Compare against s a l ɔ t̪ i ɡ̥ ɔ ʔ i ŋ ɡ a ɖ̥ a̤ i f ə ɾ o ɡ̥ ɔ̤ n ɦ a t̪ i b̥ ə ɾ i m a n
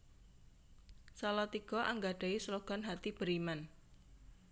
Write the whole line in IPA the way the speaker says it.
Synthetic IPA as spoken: s a l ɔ t̪ i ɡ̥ ɔ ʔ a ŋ ɡ a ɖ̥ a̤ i s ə l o ɡ̥ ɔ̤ n ɦ a t̪ i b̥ ə ɾ i m a n